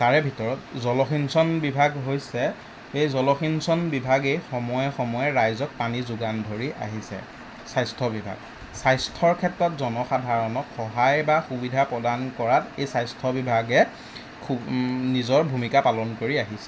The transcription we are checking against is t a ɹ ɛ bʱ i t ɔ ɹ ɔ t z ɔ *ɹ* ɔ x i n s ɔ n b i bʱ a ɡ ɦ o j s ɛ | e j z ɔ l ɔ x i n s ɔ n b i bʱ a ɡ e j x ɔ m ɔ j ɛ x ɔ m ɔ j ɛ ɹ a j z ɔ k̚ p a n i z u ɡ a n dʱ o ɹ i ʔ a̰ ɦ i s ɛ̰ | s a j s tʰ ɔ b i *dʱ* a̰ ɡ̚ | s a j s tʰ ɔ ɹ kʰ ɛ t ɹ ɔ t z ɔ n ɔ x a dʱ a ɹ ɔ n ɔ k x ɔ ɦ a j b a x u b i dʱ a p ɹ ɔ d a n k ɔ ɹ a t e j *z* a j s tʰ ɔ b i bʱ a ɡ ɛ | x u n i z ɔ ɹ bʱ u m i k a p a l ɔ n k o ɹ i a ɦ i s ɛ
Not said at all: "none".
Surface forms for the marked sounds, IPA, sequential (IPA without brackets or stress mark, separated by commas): l, bʱ, s